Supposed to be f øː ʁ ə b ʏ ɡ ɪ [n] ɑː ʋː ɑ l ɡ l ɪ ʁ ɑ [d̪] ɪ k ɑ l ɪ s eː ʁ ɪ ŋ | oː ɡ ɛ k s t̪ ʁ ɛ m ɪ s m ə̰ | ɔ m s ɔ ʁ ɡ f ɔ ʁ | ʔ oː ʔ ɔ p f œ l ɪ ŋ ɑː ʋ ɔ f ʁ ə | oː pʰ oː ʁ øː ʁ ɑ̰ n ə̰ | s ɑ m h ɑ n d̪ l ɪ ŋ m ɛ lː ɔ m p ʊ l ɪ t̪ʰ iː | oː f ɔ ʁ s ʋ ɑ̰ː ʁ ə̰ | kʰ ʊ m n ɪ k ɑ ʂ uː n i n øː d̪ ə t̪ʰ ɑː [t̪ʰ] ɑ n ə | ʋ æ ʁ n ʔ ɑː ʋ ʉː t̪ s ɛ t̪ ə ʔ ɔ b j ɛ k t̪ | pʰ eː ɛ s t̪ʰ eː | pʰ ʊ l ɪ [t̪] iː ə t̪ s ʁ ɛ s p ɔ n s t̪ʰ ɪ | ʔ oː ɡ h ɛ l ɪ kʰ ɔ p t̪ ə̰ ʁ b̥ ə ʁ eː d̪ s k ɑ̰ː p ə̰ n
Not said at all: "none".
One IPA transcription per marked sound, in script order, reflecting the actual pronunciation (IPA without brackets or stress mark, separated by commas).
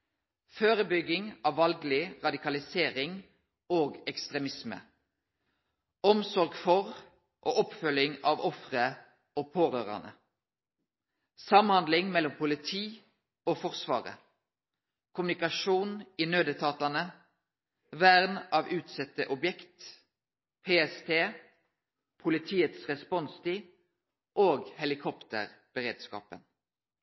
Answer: ŋ, d̪, t̪, t̪ʰ